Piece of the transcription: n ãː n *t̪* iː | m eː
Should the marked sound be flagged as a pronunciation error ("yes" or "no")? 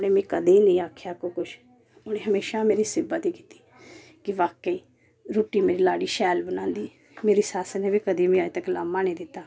yes